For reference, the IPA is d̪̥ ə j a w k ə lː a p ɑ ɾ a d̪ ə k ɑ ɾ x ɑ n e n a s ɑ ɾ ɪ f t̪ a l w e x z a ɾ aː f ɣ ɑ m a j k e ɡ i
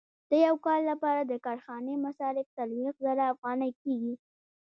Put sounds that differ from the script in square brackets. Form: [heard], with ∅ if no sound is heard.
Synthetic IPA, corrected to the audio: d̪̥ ə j a w k [ɑ] lː a p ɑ ɾ a d̪ ə k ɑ ɾ x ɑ n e [m] a s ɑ ɾ ɪ f t̪ a l w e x z a ɾ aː f ɣ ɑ [n] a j k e ɡ i